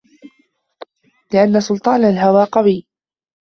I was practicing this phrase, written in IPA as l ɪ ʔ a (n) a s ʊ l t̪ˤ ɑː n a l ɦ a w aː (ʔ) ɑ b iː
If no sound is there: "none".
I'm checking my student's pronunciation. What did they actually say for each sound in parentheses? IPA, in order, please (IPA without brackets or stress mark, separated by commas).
nː, q